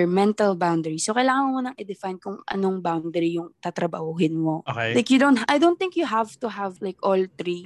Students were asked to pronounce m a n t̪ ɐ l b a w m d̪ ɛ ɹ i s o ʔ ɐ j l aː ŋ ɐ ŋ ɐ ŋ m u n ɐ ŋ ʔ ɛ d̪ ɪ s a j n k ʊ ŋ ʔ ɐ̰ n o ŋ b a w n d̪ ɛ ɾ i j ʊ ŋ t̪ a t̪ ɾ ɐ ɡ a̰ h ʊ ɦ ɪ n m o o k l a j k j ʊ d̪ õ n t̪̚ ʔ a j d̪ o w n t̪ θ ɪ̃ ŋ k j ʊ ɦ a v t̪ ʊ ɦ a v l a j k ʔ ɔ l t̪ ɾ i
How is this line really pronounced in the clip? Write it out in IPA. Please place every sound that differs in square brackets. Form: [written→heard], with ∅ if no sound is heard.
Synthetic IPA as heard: m [a→ɛ] n t̪ ɐ l b a w [m→n] d̪ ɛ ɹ i s o [ʔ→k] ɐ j l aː ŋ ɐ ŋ ɐ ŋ m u n ɐ ŋ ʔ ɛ d̪ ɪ [s→f] a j n k ʊ ŋ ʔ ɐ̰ n o ŋ b a w n d̪ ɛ ɾ i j ʊ ŋ t̪ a t̪ ɾ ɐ [ɡ→b] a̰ h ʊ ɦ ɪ n m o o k l a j k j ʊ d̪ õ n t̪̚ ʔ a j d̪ o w n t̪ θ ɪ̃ ŋ k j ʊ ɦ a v t̪ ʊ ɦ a v l a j k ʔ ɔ l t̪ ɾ i